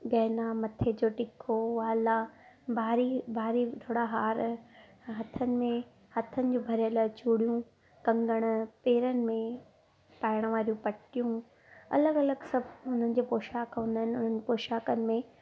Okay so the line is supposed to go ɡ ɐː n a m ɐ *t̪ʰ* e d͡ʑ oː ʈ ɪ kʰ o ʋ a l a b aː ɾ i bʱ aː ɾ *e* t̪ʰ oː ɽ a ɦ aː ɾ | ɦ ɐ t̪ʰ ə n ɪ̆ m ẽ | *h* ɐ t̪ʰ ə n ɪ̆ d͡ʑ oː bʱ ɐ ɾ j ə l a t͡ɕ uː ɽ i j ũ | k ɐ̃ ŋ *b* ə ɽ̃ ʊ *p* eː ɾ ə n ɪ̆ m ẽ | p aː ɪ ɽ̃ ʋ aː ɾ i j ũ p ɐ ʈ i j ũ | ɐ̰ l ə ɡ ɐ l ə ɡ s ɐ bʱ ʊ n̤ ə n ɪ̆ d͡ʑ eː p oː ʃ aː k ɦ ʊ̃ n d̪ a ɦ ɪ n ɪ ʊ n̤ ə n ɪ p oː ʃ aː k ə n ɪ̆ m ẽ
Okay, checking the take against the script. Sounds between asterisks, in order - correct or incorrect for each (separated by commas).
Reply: correct, incorrect, correct, incorrect, correct